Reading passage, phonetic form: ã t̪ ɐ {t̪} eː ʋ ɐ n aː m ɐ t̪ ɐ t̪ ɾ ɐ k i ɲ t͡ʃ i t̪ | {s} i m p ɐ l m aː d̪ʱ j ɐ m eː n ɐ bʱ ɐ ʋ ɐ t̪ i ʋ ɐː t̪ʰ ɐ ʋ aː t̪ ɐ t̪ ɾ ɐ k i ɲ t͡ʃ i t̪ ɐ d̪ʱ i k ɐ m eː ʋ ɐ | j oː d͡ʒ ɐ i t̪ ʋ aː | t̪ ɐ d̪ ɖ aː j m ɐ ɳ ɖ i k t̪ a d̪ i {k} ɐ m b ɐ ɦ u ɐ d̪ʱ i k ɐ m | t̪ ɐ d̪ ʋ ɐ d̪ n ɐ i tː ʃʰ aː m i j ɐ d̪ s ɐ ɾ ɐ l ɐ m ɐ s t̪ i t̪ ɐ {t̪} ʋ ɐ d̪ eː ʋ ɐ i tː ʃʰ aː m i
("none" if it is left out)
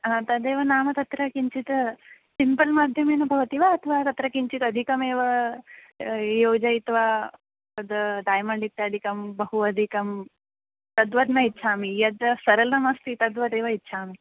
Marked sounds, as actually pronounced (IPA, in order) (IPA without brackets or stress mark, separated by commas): d̪, s, k, d̪